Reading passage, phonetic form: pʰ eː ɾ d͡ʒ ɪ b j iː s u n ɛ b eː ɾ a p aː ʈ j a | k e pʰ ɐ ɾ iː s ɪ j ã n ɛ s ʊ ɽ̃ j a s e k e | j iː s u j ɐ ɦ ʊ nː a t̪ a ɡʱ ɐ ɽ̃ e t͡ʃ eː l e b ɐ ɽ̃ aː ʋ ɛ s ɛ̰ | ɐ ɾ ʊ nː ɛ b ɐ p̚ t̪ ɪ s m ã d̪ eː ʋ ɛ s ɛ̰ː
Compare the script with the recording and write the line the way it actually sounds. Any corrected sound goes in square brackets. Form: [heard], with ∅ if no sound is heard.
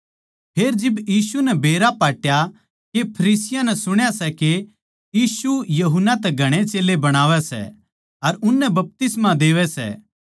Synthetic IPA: pʰ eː ɾ d͡ʒ ɪ b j iː s u n ɛ b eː ɾ a p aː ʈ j a | k e pʰ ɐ ɾ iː s ɪ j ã n ɛ s ʊ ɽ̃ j a s [ɛ] k e | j iː s u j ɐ ɦ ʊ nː a t̪ [ɛ] ɡʱ ɐ ɽ̃ e t͡ʃ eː l e b ɐ ɽ̃ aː ʋ ɛ s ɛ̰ | ɐ ɾ ʊ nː ɛ b ɐ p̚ t̪ ɪ s m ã d̪ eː ʋ ɛ s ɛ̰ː